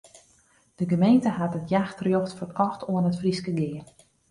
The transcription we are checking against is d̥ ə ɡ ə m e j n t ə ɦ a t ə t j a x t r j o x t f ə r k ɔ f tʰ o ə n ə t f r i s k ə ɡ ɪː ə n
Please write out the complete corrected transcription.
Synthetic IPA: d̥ ə ɡ ə m e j n t ə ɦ a t ə t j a x t r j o x t f ə r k ɔ x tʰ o ə n ə t f r i s k ə ɡ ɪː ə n